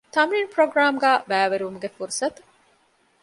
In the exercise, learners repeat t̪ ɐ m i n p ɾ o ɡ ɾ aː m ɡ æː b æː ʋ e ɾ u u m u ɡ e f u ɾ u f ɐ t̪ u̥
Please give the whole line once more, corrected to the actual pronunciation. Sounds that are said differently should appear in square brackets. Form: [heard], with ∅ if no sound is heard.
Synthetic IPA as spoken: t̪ ɐ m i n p ɾ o ɡ ɾ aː m ɡ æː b æː ʋ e ɾ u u m u ɡ e f u ɾ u [s] ɐ t̪ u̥